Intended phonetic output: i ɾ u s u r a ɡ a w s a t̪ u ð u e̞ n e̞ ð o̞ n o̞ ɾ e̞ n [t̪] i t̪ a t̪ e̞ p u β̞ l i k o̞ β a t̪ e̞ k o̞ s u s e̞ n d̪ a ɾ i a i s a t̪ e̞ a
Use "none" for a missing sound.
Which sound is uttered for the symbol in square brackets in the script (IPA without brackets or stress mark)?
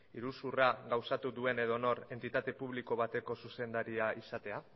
t̪